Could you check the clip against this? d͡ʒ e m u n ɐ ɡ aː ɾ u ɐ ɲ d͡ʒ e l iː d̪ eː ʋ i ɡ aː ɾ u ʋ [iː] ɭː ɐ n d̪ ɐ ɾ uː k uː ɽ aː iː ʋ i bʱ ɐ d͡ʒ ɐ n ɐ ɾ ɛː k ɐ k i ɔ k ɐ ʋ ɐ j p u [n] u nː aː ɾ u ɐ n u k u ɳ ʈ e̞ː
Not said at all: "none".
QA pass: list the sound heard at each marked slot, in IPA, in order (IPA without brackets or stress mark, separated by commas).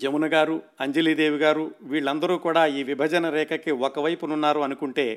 iː, n